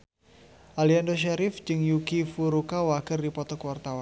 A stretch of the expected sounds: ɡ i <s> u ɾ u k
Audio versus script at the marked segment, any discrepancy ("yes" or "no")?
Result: yes